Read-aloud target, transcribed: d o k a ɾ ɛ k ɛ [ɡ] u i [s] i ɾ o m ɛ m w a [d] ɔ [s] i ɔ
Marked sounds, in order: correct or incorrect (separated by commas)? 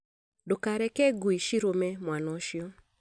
correct, incorrect, incorrect, incorrect